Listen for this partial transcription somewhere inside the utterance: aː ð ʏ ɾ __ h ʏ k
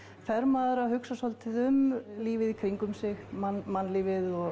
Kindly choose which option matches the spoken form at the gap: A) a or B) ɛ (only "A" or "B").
A